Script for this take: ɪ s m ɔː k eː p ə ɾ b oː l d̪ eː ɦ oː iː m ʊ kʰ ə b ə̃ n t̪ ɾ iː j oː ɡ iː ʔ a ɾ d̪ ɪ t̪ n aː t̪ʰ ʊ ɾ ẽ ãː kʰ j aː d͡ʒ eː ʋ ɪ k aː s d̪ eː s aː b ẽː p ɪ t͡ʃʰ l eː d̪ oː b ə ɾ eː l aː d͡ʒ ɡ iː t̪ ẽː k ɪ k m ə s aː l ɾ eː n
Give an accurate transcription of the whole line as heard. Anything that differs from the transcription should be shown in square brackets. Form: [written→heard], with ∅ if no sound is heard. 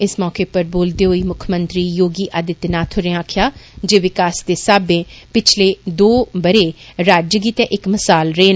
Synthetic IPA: ɪ s m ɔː k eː p ə ɾ b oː l d̪ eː ɦ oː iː m ʊ kʰ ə [b→m] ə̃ n t̪ ɾ iː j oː ɡ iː ʔ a [ɾ→∅] d̪ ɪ t̪ n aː t̪ʰ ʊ ɾ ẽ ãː kʰ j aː d͡ʒ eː ʋ ɪ k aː s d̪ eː s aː b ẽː p ɪ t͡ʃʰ l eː d̪ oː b ə ɾ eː [l→ɾ] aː d͡ʒ ɡ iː t̪ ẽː [k→ʔ] ɪ k m ə s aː l ɾ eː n